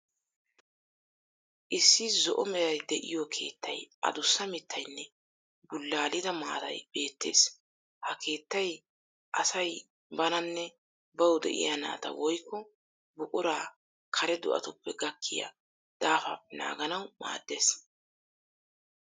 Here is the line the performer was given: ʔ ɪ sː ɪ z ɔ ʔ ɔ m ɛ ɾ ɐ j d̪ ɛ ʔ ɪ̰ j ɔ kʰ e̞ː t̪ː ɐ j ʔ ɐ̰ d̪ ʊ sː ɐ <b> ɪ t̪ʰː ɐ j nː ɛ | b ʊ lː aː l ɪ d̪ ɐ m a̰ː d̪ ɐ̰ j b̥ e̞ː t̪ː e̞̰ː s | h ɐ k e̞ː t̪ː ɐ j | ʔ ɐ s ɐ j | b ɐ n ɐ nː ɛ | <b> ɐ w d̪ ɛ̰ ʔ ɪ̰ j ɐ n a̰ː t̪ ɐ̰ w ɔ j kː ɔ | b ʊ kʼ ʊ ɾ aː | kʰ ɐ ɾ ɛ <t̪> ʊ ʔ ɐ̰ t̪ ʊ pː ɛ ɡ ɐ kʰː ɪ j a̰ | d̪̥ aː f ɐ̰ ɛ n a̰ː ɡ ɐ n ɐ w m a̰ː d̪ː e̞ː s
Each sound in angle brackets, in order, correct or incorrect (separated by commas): incorrect, correct, incorrect